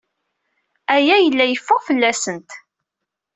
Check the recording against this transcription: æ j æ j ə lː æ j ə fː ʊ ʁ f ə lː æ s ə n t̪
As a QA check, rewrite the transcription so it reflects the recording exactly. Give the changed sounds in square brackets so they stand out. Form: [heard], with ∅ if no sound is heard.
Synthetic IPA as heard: æ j æ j ə lː æ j ə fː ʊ ʁ f ə lː æ s ə n t̪